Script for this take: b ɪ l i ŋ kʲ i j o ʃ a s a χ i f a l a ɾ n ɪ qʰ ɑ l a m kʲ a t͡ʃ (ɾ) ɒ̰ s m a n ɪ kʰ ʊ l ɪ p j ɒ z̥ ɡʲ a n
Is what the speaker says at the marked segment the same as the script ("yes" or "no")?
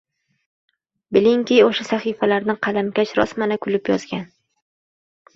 yes